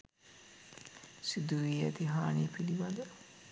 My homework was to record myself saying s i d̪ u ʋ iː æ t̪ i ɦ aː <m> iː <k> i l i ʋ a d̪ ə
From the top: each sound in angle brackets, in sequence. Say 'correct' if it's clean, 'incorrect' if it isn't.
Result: incorrect: n, incorrect: p

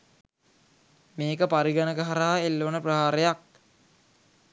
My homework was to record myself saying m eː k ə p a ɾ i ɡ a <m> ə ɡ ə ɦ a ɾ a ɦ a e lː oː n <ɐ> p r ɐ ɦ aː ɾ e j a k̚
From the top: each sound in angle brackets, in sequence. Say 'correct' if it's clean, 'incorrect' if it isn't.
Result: incorrect: n, incorrect: ə

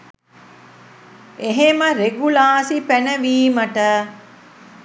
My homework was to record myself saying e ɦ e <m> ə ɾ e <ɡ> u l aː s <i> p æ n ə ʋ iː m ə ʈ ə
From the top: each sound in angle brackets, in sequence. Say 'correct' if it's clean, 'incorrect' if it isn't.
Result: correct, correct, correct

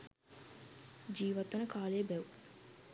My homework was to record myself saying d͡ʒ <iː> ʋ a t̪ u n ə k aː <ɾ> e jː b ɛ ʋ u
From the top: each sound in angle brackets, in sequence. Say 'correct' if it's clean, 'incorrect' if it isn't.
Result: correct, incorrect: l

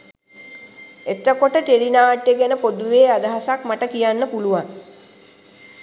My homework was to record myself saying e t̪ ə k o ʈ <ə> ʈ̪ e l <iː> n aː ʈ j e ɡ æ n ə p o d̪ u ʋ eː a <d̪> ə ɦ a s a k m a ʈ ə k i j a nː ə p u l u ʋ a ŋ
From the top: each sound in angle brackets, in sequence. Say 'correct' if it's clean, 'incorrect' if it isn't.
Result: correct, incorrect: i, correct

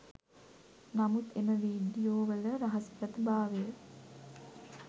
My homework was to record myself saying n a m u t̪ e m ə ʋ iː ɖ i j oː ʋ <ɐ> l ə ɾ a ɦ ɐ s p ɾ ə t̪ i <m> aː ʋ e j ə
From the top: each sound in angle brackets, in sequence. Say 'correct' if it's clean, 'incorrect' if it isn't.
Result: incorrect: ə, incorrect: b

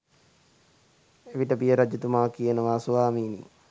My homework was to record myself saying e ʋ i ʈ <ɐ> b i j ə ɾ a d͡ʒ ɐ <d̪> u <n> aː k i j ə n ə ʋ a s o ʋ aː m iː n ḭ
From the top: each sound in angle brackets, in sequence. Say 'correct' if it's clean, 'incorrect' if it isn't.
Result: incorrect: ə, incorrect: t̪, incorrect: m

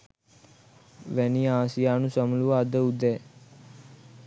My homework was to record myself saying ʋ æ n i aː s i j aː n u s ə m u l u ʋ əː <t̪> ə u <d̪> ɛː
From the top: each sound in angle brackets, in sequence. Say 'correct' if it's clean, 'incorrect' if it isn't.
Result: incorrect: d̪, correct

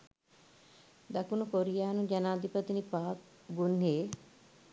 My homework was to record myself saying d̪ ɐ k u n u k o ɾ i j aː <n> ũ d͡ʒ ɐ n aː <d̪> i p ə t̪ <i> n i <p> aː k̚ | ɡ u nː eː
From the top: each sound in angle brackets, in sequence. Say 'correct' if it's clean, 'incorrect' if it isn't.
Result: correct, correct, correct, correct

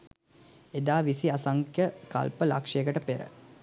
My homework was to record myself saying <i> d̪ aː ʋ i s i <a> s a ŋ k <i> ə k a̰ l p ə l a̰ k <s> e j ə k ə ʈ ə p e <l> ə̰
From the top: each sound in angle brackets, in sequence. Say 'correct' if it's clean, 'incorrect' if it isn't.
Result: incorrect: e, correct, incorrect: j, incorrect: ʂ, incorrect: ɾ

